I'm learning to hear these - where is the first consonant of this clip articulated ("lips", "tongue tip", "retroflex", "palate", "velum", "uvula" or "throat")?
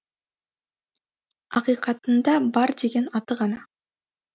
uvula